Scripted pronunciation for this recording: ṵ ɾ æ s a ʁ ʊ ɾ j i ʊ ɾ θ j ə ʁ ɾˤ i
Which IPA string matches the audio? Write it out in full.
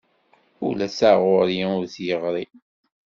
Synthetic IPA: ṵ l æ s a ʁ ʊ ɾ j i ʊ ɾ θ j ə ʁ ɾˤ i